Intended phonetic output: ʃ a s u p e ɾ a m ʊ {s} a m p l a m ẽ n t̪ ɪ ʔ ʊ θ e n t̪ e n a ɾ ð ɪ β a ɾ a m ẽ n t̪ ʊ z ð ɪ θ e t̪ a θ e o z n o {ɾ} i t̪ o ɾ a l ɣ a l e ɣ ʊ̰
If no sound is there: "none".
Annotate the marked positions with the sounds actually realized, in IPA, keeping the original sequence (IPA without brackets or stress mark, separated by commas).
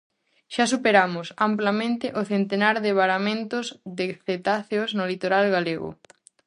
s, l